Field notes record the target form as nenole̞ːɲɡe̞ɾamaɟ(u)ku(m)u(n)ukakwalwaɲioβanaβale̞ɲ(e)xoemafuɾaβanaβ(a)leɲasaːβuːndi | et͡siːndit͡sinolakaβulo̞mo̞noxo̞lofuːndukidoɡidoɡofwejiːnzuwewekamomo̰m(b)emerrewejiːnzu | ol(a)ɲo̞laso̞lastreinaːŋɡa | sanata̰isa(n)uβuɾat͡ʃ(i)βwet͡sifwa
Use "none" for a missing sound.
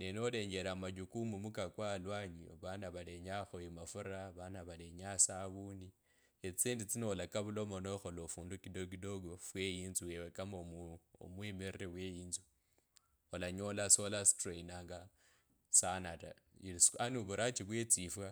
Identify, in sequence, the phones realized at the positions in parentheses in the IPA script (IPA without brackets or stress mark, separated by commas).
u, m, m, a, a, w, a, n, i